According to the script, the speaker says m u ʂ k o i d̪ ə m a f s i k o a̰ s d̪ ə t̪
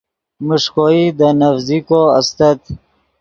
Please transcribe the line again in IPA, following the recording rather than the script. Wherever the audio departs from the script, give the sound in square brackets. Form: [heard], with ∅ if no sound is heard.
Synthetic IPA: m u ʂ k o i d̪ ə [n] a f [z] i k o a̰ s [t̪] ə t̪